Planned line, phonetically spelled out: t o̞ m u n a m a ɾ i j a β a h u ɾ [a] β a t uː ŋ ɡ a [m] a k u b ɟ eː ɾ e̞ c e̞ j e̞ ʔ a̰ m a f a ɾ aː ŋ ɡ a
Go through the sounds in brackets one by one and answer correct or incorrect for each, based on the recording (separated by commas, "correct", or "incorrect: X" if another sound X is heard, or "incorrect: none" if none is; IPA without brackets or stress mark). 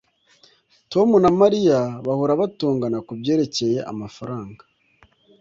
correct, incorrect: n